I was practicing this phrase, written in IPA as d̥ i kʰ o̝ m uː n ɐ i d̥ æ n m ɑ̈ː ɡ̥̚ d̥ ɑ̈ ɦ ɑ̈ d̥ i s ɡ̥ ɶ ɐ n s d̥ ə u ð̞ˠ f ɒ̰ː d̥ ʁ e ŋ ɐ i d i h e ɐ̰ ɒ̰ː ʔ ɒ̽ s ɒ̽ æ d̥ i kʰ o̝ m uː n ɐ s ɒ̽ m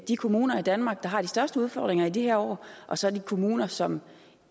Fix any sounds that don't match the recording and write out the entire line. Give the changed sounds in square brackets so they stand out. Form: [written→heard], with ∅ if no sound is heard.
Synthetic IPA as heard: d̥ i kʰ o̝ m uː n ɐ i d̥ æ n m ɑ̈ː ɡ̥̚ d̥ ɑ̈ ɦ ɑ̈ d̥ i s [ɡ̥→d̥] ɶ ɐ [n→∅] s d̥ ə u ð̞ˠ f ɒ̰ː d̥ ʁ e ŋ ɐ i d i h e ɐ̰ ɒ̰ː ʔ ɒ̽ s ɒ̽ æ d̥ i kʰ o̝ m uː n ɐ s ɒ̽ m

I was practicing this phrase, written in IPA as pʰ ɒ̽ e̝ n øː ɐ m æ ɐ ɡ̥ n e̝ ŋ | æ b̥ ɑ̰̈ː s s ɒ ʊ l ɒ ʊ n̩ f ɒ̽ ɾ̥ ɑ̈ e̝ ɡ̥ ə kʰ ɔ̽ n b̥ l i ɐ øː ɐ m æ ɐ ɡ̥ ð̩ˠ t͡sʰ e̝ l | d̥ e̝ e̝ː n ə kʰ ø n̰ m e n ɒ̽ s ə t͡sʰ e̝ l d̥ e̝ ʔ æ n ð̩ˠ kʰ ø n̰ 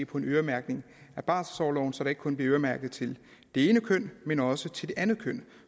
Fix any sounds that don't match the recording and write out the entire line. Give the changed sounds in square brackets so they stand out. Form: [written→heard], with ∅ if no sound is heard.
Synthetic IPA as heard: pʰ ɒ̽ e̝ n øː ɐ m æ ɐ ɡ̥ n e̝ ŋ | æ b̥ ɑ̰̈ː s s ɒ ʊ l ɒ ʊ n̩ [f→s] ɒ̽ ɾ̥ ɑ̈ e̝ ɡ̥ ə kʰ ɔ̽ n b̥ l i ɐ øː ɐ m æ ɐ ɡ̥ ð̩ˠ t͡sʰ e̝ l | d̥ e̝ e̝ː n ə kʰ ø n̰ m e n ɒ̽ s ə t͡sʰ e̝ l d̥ e̝ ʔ æ n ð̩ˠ kʰ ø n̰

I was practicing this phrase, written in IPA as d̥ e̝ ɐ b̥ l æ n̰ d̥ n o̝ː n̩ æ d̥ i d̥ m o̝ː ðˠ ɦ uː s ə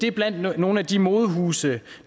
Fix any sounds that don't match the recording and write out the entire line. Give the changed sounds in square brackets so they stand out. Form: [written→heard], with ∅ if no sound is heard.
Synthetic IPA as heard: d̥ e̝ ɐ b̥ l æ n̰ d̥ n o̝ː n̩ æ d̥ i [d̥→∅] m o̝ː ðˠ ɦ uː s ə

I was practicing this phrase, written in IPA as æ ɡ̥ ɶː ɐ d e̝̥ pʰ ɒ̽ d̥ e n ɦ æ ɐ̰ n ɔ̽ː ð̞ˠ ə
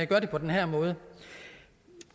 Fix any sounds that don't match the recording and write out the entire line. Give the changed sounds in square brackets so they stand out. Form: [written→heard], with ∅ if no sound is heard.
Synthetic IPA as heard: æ ɡ̥ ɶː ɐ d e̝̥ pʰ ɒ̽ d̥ e n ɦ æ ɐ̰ [n→m] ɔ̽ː ð̞ˠ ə

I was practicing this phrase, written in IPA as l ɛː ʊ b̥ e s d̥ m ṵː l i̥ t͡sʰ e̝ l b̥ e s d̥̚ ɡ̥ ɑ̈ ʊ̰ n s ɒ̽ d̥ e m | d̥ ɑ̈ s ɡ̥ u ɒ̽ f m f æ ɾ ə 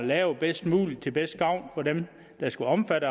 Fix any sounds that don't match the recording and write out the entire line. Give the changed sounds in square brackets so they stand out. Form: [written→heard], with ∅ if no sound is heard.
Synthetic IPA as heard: l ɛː ʊ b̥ e s d̥ m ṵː l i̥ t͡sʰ e̝ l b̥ e s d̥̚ ɡ̥ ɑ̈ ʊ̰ n [s→f] ɒ̽ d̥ e m | d̥ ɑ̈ s ɡ̥ u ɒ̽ [f→∅] m f æ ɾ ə

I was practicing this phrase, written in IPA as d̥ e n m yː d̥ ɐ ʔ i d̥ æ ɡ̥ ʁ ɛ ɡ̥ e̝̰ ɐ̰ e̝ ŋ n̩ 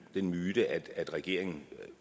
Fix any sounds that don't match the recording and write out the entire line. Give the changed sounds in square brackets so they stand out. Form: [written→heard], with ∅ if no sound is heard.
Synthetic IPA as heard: d̥ e n m yː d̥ [ɐ→ə] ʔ [i→æ] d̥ æ [ɡ̥→d̥] ʁ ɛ ɡ̥ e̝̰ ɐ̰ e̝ ŋ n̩

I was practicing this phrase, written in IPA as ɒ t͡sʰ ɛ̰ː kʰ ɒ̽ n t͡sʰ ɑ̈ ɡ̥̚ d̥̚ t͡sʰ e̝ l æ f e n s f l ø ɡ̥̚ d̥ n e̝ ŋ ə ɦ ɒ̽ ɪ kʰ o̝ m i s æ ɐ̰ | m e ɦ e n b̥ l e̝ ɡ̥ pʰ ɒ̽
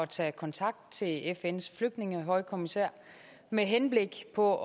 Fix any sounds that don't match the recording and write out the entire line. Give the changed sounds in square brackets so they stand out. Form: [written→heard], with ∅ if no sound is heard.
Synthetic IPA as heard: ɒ t͡sʰ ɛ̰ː kʰ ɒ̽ n t͡sʰ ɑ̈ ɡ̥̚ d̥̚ t͡sʰ e̝ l [æ→e] f e n s f l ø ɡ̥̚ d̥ n e̝ ŋ ə ɦ ɒ̽ ɪ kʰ o̝ m i s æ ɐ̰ | m e ɦ e n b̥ l e̝ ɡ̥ pʰ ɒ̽

